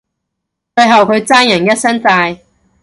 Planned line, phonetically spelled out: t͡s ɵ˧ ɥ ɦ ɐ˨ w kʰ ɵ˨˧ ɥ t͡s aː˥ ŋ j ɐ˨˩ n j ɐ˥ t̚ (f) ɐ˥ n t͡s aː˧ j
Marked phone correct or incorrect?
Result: incorrect